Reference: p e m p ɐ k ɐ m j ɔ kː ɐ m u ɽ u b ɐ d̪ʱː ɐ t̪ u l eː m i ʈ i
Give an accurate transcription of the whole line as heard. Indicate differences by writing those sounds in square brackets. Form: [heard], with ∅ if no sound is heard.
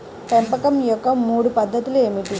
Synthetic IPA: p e m p ɐ k ɐ m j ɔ kː ɐ m [uː] ɽ u [p] ɐ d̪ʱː ɐ t̪ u l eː m i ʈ i